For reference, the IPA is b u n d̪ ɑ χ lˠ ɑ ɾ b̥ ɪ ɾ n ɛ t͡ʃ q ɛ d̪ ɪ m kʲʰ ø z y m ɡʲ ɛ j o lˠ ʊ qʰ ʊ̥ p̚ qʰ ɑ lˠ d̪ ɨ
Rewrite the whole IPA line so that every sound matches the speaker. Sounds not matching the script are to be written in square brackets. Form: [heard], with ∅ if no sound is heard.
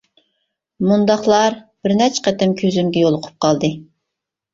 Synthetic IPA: [m] u n d̪ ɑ χ lˠ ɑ ɾ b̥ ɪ ɾ n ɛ t͡ʃ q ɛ [t̪] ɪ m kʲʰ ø z y m ɡʲ ɛ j o lˠ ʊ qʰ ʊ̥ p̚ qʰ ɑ lˠ d̪ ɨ